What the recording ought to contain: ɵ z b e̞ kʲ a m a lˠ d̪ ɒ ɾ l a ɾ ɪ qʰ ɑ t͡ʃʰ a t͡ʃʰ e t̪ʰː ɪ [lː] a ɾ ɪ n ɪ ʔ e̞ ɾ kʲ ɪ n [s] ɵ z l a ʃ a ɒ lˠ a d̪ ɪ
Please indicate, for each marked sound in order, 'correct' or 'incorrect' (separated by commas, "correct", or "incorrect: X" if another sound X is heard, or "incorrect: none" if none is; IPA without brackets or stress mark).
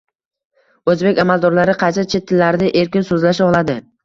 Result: correct, correct